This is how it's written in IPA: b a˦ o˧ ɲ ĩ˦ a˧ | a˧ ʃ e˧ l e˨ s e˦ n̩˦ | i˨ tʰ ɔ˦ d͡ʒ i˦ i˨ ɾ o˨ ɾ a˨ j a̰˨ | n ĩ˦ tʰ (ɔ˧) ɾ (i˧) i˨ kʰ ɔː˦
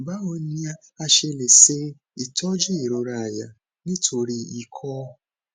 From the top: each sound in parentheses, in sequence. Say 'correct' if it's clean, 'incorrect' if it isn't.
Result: incorrect, correct

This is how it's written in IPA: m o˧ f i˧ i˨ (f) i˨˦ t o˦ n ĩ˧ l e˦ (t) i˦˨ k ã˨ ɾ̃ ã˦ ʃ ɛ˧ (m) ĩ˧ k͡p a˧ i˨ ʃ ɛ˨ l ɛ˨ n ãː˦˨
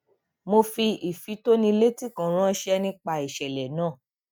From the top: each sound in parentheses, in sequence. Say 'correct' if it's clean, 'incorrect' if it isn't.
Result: correct, correct, incorrect

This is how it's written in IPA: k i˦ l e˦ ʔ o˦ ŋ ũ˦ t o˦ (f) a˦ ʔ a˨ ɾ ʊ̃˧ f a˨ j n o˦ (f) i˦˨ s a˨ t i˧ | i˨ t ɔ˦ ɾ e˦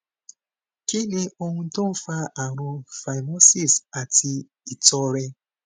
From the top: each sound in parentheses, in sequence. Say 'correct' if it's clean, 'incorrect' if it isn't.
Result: correct, incorrect

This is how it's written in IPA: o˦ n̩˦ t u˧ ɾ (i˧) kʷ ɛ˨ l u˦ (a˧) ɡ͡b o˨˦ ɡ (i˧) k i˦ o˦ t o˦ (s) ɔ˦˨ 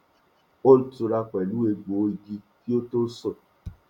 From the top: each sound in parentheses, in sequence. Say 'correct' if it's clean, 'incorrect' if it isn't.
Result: incorrect, incorrect, correct, correct

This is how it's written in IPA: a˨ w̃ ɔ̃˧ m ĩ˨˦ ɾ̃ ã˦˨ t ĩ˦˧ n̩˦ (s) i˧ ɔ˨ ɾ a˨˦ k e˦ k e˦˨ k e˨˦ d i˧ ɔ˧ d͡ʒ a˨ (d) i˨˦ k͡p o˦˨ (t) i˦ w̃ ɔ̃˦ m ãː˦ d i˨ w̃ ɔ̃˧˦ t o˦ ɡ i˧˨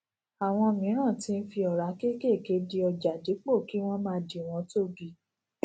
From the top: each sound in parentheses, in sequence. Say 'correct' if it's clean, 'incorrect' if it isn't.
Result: incorrect, correct, incorrect

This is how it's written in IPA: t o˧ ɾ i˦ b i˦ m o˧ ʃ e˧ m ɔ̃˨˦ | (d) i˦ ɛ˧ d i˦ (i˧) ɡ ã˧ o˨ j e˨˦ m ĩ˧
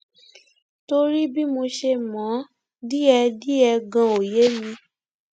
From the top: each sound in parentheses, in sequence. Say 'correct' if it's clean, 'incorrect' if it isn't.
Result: correct, incorrect

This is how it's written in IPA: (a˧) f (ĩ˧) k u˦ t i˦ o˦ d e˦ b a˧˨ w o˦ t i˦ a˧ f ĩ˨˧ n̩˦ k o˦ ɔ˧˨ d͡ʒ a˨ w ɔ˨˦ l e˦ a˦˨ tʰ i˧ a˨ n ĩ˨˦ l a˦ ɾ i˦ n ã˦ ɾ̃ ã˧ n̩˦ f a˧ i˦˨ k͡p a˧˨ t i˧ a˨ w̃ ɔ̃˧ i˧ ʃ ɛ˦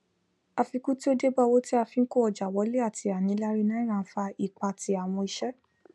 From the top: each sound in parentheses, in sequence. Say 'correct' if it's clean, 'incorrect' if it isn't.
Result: correct, incorrect

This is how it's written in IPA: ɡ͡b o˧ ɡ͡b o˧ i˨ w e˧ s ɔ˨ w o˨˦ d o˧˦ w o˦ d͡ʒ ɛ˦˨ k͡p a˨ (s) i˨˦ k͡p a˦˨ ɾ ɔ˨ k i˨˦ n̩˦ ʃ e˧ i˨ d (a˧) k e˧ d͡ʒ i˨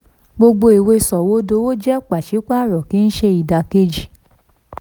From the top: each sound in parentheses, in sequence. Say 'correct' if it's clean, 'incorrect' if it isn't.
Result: incorrect, correct

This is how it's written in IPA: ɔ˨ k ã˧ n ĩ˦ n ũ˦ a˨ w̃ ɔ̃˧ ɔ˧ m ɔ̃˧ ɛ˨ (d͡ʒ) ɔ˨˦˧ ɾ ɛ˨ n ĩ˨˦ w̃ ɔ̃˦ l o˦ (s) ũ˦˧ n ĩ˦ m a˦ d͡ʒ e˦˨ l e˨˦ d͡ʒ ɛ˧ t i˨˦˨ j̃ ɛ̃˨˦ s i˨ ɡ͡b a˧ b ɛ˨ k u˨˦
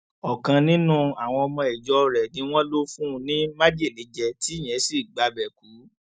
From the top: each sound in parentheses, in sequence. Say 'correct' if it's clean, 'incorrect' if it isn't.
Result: correct, incorrect

